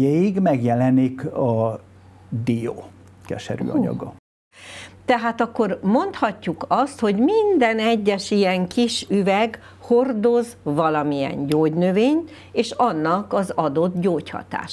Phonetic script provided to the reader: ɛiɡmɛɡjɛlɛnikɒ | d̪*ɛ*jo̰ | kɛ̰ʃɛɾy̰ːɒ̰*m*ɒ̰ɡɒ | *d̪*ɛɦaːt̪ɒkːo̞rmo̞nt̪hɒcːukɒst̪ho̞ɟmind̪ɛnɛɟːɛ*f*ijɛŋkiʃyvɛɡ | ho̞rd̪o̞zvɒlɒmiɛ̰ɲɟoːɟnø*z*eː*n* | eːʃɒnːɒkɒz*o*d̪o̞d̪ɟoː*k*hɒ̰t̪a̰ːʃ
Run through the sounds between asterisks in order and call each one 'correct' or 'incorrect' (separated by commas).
incorrect, incorrect, incorrect, incorrect, incorrect, incorrect, incorrect, incorrect